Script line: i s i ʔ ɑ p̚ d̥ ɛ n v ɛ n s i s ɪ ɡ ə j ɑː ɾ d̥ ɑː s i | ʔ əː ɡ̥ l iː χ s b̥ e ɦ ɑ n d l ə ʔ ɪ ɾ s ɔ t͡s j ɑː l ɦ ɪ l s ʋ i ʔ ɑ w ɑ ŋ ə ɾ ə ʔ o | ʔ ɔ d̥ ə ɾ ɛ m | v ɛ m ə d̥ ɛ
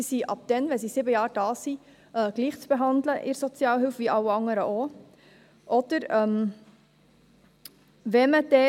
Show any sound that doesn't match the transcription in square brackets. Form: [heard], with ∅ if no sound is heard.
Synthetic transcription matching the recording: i s i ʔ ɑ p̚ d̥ ɛ n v ɛ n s i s ɪ [b] ə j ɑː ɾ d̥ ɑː s i | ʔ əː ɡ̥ l iː χ [t͡s] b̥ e ɦ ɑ n d l ə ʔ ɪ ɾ s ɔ t͡s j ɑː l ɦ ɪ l [f] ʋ i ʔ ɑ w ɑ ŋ ə ɾ ə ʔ o | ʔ ɔ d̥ ə ɾ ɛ m | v ɛ m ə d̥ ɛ